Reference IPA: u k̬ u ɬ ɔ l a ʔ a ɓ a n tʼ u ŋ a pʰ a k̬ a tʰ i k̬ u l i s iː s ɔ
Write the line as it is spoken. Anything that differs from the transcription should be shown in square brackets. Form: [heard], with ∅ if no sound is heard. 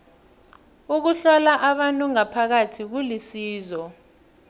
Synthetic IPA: u k̬ u ɬ ɔ l a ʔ a ɓ a n tʼ u ŋ a pʰ a k̬ a tʰ i k̬ u l i s iː [z] ɔ